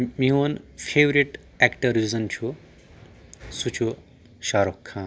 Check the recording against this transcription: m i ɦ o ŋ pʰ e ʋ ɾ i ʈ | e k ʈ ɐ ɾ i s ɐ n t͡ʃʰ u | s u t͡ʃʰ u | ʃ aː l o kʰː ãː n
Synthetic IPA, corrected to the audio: m i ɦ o n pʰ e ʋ ɾ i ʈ | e k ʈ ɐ ɾ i z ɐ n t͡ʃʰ u | s u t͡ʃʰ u | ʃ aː ɾ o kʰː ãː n